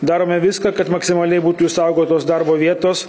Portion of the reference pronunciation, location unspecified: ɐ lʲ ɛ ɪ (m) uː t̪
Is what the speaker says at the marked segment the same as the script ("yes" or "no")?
no